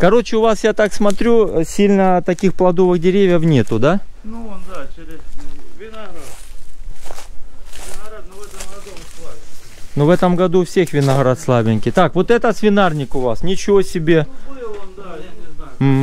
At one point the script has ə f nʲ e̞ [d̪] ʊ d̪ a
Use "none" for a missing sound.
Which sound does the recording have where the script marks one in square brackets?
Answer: t̪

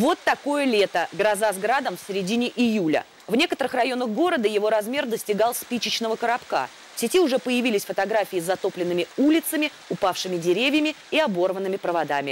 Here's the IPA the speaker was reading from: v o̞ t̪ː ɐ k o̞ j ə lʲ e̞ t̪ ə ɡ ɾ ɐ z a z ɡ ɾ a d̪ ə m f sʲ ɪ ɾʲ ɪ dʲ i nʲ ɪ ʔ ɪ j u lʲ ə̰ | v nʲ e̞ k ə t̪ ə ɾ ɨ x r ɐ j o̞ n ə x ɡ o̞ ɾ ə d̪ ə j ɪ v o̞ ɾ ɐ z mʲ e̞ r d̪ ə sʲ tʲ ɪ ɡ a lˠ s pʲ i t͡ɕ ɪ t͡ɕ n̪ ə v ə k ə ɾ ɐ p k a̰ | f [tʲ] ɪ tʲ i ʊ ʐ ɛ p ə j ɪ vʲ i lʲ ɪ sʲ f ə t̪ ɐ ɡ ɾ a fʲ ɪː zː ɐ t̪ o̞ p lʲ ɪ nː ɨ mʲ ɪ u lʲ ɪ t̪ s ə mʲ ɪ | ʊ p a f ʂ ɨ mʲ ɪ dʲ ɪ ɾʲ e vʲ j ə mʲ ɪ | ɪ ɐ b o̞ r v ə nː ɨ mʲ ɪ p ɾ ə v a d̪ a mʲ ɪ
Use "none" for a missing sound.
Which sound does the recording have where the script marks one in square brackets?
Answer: sʲ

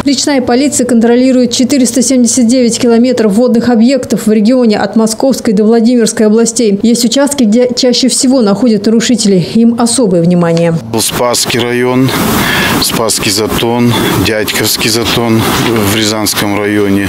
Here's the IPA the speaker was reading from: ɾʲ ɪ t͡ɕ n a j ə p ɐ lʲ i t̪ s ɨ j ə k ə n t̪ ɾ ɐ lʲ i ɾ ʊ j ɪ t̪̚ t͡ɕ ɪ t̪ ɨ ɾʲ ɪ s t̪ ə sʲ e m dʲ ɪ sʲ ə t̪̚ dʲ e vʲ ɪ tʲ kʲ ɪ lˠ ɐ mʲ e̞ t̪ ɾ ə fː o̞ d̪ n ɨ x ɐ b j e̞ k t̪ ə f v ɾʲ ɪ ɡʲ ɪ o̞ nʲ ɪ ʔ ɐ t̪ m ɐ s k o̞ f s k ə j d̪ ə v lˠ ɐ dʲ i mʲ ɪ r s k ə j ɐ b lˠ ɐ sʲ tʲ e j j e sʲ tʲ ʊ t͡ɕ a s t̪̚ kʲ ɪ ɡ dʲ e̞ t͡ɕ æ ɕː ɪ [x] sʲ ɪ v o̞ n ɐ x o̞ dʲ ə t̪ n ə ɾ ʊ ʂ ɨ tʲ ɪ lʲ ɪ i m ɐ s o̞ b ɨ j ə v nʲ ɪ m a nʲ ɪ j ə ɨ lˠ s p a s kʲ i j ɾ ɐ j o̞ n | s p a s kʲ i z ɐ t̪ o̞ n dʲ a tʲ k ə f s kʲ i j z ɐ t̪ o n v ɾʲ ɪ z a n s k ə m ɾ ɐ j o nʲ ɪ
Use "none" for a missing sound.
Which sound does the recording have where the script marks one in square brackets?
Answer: f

